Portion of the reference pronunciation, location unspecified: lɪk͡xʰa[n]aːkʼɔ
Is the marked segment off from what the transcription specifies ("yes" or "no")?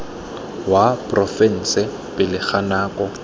no